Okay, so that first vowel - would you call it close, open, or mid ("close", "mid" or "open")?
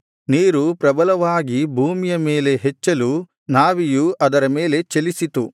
close